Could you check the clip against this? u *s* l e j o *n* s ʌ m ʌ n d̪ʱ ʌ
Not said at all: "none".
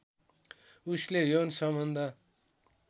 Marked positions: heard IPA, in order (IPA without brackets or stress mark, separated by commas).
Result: s, n